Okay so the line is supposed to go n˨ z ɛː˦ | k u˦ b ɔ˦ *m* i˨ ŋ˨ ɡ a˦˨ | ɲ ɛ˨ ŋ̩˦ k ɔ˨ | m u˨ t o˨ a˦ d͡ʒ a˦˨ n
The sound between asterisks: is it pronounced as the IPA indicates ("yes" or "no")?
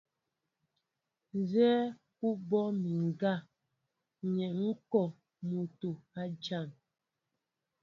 yes